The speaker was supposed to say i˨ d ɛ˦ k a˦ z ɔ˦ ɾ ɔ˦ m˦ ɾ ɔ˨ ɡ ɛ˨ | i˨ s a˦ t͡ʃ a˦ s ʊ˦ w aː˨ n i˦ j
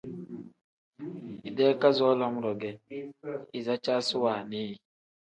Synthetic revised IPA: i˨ d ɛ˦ k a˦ z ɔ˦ l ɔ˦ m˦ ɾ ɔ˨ ɡ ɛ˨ | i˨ z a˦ t͡ʃ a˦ s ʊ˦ w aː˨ n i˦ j